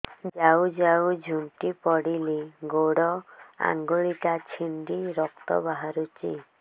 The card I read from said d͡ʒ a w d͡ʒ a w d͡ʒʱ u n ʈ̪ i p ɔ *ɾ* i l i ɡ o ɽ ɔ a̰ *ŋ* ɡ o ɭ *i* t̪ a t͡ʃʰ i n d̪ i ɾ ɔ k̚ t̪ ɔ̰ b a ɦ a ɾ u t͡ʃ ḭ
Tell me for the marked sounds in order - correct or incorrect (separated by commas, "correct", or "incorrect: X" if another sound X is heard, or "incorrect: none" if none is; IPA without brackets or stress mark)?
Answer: incorrect: ɽ, correct, correct